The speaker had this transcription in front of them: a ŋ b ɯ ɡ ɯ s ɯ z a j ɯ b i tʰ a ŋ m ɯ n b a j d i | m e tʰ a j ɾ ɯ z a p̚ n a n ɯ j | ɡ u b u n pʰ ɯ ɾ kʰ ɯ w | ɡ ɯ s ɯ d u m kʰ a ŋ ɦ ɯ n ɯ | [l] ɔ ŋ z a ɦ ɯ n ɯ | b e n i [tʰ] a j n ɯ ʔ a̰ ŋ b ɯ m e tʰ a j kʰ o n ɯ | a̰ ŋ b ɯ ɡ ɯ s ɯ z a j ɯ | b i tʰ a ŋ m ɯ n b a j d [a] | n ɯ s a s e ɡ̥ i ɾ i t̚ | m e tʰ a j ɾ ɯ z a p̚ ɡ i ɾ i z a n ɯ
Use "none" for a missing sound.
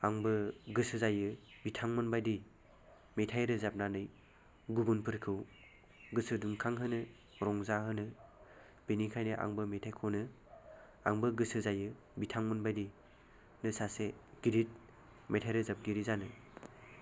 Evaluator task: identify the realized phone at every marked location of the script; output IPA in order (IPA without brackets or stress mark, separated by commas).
ɾ, kʰ, i